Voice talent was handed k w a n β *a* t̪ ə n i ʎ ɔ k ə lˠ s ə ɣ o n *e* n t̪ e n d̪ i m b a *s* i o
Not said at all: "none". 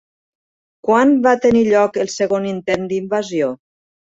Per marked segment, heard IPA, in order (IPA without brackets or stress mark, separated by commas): a, i, z